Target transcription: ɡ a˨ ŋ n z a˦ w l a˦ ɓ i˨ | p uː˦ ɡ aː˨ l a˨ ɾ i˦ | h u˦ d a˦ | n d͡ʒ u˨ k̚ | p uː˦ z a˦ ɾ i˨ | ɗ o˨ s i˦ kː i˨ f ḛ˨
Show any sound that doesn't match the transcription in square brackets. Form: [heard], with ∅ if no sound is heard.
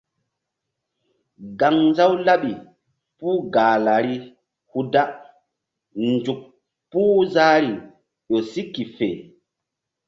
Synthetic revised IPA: ɡ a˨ ŋ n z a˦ w l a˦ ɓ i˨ | p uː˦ ɡ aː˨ l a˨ ɾ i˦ | h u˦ d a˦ | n d͡ʒ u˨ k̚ | p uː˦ z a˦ ɾ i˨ | ɗ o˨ s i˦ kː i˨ f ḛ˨